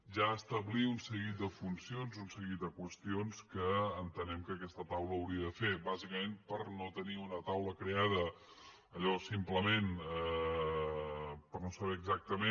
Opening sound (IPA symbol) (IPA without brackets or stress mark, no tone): ʒ